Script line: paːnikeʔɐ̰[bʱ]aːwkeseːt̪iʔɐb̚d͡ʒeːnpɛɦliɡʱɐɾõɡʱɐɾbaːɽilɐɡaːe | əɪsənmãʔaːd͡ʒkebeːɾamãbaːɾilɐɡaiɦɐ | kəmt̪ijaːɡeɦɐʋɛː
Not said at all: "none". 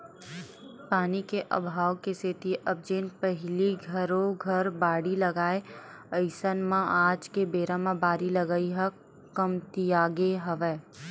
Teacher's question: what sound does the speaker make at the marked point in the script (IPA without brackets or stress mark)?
bʱ